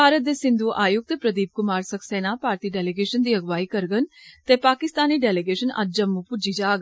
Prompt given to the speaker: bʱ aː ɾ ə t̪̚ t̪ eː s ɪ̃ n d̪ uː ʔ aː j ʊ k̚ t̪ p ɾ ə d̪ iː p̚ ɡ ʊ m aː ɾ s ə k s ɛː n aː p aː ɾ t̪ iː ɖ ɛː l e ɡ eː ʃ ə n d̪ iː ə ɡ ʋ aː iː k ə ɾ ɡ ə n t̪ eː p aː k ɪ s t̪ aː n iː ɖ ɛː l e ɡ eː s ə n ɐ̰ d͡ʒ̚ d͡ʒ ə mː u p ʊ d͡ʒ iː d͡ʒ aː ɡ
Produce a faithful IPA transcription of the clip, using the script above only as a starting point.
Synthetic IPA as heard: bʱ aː ɾ ə t̪̚ d̪ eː s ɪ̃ n d̪ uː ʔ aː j ʊ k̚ t̪ p ɾ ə d̪ iː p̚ k ʊ m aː ɾ s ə k s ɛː n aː p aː ɾ t̪ iː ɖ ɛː l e ɡ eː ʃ ə n d̪ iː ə ɡ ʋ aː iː k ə ɾ ɡ ə n t̪ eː p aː k ɪ s t̪ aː n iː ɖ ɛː l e ɡ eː ʃ ə n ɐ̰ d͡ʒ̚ d͡ʒ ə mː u p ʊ d͡ʒ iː d͡ʒ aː ɡ